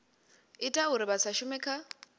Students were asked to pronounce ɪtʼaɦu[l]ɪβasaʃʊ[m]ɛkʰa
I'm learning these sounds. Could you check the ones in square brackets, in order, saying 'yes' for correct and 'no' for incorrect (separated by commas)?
no, yes